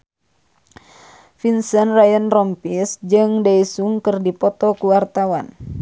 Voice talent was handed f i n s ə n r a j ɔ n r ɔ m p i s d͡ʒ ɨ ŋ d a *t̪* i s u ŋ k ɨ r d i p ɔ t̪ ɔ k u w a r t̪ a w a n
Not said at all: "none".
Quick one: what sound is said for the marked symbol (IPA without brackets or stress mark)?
none